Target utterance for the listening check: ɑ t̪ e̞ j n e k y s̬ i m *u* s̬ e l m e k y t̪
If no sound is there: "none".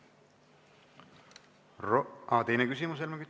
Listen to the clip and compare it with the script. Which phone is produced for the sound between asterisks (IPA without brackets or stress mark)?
u